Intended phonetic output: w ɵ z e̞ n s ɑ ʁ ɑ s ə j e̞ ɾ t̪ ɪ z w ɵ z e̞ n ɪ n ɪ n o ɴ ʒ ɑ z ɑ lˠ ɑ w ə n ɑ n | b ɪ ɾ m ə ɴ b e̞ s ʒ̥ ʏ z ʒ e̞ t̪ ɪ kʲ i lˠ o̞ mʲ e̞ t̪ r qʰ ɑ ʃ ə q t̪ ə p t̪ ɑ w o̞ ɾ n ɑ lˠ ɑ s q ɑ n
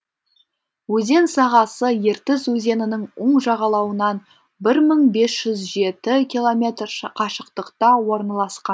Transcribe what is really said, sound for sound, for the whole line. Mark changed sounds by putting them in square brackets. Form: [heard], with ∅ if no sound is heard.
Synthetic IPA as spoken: w ɵ z e̞ n s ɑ ʁ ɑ s ə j e̞ ɾ t̪ ɪ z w ɵ z e̞ n ɪ n ɪ [ŋ] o ɴ ʒ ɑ [ʁ] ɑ lˠ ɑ w ə n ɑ n | b ɪ ɾ m ə ɴ b e̞ s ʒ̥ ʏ z ʒ e̞ t̪ ɪ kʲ i lˠ o̞ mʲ e̞ t̪ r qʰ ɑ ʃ ə q t̪ ə [q] t̪ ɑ w o̞ ɾ n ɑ lˠ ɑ s q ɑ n